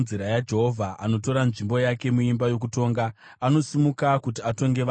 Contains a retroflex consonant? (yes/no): yes